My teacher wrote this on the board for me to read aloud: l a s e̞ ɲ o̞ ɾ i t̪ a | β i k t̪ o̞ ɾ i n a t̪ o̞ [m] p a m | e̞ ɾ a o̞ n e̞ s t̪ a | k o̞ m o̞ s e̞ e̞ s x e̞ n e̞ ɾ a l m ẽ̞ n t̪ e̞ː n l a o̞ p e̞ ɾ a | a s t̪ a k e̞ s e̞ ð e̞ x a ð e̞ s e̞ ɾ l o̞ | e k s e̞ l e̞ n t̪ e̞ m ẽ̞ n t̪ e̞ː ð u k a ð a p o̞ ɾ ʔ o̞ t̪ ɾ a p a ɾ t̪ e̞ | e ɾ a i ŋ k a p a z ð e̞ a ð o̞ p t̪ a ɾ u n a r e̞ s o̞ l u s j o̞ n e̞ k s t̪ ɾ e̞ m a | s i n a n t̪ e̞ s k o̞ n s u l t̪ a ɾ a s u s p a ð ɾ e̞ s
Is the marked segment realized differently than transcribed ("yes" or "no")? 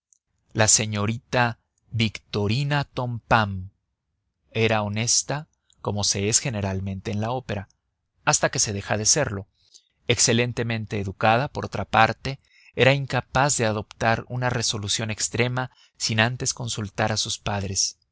no